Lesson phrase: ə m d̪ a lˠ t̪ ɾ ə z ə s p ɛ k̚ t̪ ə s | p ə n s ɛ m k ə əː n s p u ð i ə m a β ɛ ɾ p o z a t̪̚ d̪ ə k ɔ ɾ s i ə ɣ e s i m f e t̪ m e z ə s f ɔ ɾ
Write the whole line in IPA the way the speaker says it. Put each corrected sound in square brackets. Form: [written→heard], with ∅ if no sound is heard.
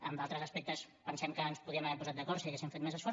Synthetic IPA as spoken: ə m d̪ a lˠ t̪ ɾ ə z ə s p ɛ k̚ t̪ ə s | p ə n s ɛ m k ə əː n s p u ð i ə m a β ɛ ɾ p [o→u] z a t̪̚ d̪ ə k ɔ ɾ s i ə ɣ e s i m f e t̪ m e z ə s f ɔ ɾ